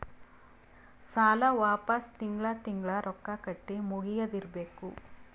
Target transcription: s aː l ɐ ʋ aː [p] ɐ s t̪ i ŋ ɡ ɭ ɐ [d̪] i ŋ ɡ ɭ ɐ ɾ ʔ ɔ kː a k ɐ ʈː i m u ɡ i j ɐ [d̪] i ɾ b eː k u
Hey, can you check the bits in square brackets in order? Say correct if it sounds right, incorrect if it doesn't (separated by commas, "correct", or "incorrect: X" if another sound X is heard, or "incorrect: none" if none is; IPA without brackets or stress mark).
correct, incorrect: t̪, correct